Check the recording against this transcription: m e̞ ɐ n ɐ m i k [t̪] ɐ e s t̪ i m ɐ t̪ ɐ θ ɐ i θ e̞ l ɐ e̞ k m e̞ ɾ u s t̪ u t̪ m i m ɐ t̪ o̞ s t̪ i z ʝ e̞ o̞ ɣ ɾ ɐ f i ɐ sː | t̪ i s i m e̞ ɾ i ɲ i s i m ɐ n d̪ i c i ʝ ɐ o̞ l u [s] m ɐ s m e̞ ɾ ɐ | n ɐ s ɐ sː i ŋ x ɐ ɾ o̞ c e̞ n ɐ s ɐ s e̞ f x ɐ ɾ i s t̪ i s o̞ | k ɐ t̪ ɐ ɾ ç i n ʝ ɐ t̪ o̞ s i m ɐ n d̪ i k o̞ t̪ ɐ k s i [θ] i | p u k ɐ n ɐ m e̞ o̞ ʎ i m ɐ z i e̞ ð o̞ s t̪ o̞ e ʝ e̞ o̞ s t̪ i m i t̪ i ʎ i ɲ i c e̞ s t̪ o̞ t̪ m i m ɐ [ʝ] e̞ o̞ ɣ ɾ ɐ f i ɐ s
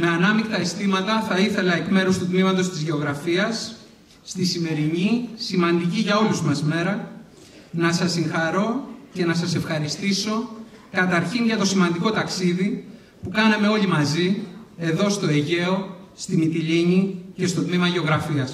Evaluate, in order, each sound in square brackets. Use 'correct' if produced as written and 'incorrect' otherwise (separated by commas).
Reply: correct, incorrect, incorrect, correct